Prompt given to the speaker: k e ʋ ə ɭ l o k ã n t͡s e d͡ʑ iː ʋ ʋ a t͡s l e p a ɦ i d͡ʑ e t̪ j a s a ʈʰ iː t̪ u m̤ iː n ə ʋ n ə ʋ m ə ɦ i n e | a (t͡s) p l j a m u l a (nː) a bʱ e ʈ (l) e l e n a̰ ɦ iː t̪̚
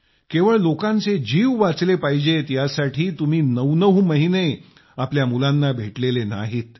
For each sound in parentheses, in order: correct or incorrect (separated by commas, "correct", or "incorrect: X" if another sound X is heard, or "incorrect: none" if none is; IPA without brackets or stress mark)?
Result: incorrect: none, correct, correct